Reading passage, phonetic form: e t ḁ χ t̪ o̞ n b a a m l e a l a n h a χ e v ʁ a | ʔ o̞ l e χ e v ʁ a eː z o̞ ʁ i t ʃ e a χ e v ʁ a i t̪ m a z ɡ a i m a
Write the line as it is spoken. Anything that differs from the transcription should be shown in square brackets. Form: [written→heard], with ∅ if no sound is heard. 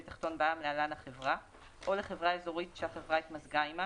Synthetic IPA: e t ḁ χ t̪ o̞ n b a a m l e a l a n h a χ e v ʁ a | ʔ o̞ l e χ e v ʁ a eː z o̞ ʁ i t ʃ e a χ e v ʁ a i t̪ m a z ɡ a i m a